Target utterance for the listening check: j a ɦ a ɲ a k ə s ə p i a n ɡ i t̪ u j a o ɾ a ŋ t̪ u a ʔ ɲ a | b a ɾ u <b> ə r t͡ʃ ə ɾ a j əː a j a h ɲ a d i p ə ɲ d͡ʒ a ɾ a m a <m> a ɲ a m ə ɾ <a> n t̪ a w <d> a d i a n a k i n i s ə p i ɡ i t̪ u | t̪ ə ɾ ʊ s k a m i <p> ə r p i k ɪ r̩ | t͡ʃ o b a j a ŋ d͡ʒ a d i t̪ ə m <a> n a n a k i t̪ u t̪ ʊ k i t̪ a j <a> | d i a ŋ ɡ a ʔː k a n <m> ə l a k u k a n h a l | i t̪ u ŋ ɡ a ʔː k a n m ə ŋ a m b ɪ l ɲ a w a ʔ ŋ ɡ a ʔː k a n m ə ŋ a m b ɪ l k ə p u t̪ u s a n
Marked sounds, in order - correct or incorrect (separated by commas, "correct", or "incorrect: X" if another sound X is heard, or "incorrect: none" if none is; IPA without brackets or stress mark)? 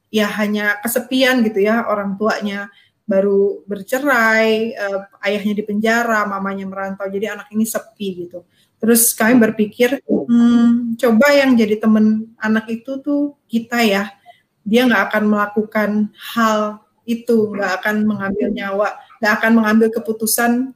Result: correct, correct, correct, incorrect: d͡ʒ, incorrect: b, incorrect: ə, correct, correct